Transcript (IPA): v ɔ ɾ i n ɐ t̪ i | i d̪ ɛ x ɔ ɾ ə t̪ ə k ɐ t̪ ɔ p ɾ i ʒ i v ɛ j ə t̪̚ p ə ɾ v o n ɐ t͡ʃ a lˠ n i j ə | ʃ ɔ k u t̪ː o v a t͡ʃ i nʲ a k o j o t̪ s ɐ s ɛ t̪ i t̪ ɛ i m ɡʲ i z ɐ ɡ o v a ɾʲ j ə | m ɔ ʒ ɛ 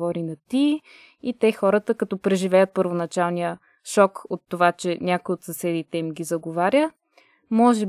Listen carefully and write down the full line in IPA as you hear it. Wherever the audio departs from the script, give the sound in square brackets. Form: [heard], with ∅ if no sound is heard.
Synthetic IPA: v ɔ ɾ i n ɐ t̪ i | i [t̪] ɛ x ɔ ɾ ə t̪ ə k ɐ t̪ ɔ p ɾ [ɛ] ʒ i v ɛ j ə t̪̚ p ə ɾ v o n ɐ t͡ʃ a lˠ n i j ə | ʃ ɔ k [o] t̪ː o v a t͡ʃ [ɛ] nʲ a k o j o t̪ s ɐ s ɛ [d̪] i t̪ ɛ i m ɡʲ i z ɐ ɡ o v a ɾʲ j ə | m ɔ ʒ ɛ